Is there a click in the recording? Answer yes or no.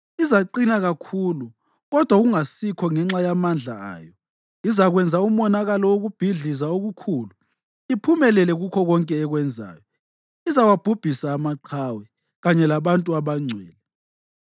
yes